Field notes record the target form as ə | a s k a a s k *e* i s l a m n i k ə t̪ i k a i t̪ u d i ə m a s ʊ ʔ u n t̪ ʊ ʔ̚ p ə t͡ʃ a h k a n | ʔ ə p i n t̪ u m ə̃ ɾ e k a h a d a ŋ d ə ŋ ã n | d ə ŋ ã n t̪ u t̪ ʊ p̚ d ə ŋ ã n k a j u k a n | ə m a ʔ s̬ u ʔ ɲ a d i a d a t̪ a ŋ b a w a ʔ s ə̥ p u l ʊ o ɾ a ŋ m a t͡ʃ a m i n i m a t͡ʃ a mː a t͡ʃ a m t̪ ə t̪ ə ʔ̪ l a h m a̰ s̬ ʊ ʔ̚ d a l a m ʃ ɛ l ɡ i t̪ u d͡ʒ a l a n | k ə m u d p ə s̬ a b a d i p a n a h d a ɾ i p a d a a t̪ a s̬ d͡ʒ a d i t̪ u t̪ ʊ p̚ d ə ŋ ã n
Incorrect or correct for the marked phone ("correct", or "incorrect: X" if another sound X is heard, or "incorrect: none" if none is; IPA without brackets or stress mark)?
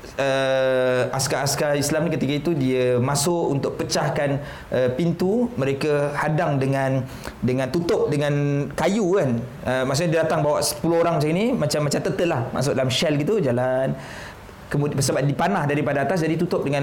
incorrect: a